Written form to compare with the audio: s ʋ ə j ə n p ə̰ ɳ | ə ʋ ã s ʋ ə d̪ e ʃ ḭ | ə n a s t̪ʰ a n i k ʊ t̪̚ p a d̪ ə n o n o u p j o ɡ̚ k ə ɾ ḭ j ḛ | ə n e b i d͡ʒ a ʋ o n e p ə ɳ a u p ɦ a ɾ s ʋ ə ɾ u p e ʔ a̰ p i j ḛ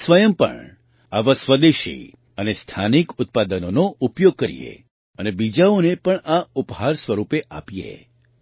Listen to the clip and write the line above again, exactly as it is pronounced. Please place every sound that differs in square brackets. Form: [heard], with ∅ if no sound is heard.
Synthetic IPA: s ʋ ə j ə [m] p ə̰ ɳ | [a] ʋ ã s ʋ ə d̪ e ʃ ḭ | ə n [e] s t̪ʰ a n i k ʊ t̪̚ p a d̪ ə n o n o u p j o ɡ̚ k ə ɾ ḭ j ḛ | ə n e b i d͡ʒ a [∅] o n e p ə ɳ a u p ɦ a ɾ s ʋ ə ɾ u p e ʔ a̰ p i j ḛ